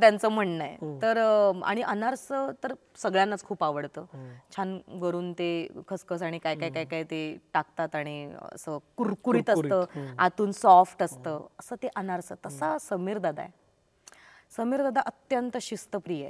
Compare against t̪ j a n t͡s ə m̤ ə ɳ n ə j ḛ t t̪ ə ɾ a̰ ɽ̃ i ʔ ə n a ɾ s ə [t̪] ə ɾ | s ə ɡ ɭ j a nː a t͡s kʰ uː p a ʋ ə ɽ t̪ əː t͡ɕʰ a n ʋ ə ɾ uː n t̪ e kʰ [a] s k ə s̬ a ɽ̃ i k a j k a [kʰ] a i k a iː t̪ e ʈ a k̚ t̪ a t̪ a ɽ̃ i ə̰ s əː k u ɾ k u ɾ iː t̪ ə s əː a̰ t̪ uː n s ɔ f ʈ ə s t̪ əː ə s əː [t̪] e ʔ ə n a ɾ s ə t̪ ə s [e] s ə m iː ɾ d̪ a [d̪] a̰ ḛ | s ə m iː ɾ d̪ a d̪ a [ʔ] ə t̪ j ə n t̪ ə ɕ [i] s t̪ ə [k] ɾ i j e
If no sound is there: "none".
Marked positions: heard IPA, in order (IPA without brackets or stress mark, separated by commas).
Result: t̪, ə, k, t̪, a, d̪, ʔ, i, p